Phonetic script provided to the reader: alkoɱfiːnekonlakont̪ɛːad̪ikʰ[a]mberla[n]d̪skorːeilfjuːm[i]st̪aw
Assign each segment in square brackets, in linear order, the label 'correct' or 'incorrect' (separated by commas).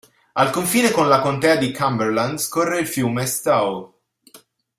correct, correct, incorrect